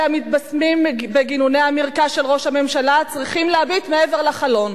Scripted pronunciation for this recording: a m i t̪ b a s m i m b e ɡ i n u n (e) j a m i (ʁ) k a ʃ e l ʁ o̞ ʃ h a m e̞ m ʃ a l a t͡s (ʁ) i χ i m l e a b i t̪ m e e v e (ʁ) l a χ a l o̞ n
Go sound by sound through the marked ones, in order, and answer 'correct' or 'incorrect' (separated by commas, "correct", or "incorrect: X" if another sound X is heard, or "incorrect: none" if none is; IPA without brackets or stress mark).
correct, correct, correct, correct